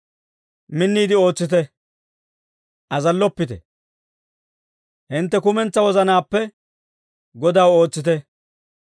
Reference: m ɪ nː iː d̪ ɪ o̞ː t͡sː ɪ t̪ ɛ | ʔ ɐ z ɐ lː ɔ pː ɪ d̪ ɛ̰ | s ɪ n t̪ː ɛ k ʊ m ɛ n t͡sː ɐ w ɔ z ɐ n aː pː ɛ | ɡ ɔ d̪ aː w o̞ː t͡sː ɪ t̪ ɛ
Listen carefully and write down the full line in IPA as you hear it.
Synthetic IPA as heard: m ɪ nː iː d̪ ɪ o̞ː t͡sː ɪ t̪ ɛ | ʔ ɐ z ɐ lː ɔ pː ɪ t̪ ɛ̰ | h ɪ n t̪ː ɛ k ʊ m ɛ n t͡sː ɐ w ɔ z ɐ n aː pː ɛ | ɡ ɔ d̪ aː w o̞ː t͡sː ɪ t̪ ɛ